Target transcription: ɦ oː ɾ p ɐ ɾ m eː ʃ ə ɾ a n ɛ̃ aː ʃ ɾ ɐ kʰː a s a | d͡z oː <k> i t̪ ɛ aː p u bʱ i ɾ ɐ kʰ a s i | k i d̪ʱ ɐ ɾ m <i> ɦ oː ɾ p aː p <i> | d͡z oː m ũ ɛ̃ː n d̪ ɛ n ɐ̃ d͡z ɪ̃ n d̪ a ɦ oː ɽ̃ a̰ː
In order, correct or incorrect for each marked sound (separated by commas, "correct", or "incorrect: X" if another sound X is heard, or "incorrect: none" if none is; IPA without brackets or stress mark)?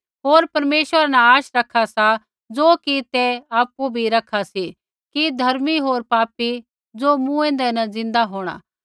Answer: correct, correct, correct